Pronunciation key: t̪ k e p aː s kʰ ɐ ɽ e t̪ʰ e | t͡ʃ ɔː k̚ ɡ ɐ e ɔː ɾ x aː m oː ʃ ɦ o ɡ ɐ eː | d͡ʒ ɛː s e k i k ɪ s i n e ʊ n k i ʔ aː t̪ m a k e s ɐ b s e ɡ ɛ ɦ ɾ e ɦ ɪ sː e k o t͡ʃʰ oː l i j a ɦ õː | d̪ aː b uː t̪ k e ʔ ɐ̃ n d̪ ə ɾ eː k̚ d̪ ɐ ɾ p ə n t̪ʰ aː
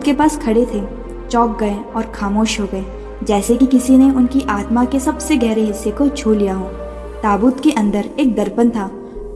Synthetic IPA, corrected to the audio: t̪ k e p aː s kʰ ɐ ɽ e t̪ʰ e | t͡ʃ ɔː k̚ ɡ ɐ e ɔː ɾ x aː m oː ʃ ɦ o ɡ ɐ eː | d͡ʒ ɛː s e k i k ɪ s i n e ʊ n k i ʔ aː t̪ m a k e s ɐ b s e ɡ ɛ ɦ ɾ e ɦ ɪ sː e k o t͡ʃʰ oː l i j a ɦ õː | t̪ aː b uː t̪ k e ʔ ɐ̃ n d̪ ə ɾ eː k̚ d̪ ɐ ɾ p ə n t̪ʰ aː